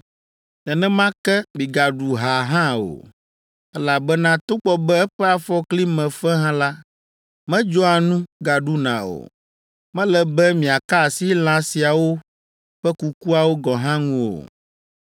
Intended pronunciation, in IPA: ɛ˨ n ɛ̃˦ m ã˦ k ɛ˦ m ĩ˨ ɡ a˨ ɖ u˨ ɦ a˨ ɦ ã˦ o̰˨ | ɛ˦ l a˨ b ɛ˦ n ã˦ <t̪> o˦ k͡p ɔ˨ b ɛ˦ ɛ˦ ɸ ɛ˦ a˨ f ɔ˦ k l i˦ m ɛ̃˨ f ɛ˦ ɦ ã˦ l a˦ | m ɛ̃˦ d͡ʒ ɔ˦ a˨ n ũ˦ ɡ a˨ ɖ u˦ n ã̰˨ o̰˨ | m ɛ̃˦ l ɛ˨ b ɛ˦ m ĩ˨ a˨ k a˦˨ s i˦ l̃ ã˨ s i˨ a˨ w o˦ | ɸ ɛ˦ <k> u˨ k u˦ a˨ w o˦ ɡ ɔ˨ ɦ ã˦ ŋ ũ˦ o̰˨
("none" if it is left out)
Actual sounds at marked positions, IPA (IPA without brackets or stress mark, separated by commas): t̪, k